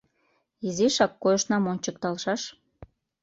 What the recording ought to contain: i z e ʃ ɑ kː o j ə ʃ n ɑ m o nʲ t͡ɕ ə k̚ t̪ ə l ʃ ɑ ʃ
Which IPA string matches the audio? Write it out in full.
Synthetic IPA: i z i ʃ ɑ kː o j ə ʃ n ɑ m o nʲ t͡ɕ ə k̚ t̪ ɑ l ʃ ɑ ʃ

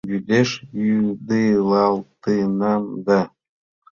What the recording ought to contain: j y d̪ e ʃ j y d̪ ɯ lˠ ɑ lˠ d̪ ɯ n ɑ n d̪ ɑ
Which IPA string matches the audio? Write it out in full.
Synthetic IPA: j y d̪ e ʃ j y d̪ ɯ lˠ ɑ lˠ t̪ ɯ n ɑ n d̪ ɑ

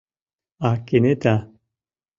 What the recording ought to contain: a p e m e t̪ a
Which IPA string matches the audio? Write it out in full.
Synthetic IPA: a k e n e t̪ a

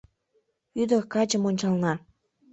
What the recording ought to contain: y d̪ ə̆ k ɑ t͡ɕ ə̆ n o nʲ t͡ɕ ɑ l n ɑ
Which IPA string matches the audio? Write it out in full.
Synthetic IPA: y d̪ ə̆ k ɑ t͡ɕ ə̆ m o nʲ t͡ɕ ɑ l n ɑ

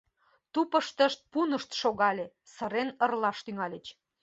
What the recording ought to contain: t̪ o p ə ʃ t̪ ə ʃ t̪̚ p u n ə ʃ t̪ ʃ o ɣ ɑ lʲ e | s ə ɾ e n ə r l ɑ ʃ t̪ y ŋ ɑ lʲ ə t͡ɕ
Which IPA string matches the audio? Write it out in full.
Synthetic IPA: t̪ u p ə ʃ t̪ ə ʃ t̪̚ p u n ə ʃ t̪ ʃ o ɣ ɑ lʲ e | s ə ɾ e n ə r l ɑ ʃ t̪ y ŋ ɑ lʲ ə t͡ɕ

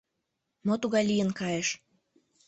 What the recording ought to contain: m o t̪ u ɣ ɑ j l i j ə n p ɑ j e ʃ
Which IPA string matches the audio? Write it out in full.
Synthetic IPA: m o t̪ u ɣ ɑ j l i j ə n k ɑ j e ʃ

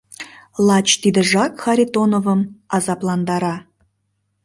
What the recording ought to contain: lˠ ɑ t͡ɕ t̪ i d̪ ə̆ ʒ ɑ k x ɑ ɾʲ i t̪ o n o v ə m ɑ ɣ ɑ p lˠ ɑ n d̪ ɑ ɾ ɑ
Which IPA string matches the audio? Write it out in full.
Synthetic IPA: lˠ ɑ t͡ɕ t̪ i d̪ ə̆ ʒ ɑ k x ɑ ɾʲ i t̪ o n o v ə m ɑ z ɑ p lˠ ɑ n d̪ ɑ ɾ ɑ

